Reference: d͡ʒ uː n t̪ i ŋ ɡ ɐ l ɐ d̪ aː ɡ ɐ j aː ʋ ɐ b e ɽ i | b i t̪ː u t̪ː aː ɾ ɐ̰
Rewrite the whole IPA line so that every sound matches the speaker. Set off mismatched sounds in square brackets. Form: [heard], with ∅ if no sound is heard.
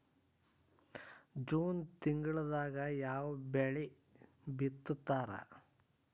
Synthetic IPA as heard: d͡ʒ uː n t̪ i ŋ ɡ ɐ [ɭ] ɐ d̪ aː ɡ ɐ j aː ʋ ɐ b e [ɭ] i | b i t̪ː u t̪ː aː ɾ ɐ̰